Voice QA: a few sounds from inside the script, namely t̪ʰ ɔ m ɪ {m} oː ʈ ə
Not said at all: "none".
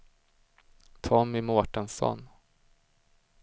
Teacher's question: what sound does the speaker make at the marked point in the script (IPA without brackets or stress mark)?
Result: m